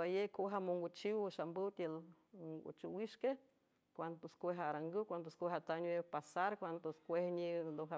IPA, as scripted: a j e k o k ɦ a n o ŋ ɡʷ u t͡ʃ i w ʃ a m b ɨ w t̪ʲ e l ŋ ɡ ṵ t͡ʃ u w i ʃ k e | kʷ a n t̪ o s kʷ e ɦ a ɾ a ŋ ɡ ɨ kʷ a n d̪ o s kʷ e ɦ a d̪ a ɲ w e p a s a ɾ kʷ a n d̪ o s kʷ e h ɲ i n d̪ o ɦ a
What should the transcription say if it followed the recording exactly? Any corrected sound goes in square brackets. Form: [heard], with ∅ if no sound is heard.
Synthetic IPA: a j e k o [∅] ɦ a [m] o ŋ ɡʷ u t͡ʃ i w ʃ a m b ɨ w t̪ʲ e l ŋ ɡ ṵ t͡ʃ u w i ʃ k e | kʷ a n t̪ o s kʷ e ɦ a ɾ a ŋ ɡ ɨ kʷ a n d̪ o s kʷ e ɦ a [t̪] a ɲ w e p a s a ɾ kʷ a n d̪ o s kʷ e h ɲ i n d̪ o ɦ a